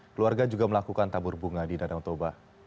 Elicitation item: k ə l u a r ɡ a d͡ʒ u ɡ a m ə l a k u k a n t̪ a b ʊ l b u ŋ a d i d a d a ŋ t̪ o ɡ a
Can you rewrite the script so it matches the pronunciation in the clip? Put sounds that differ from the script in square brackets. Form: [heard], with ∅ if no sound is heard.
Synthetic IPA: k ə l u a r ɡ a d͡ʒ u ɡ a m ə l a k u k a n t̪ a b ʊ [r] b u ŋ a d i d a d a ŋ t̪ o [b] a